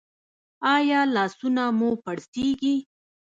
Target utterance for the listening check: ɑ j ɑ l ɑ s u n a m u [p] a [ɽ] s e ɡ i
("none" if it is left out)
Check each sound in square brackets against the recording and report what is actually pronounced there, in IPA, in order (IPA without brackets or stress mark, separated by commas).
p, ɽ